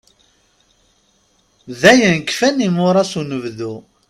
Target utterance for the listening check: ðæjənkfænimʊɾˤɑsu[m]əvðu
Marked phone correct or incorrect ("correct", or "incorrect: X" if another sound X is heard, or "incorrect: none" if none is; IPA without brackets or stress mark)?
incorrect: n